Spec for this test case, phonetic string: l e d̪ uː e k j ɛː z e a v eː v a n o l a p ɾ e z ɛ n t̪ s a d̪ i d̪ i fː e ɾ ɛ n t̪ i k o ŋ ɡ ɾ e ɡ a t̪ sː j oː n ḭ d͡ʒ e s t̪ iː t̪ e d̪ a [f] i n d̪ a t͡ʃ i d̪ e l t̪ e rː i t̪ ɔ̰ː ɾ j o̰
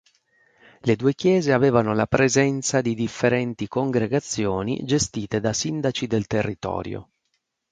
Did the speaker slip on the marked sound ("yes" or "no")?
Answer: yes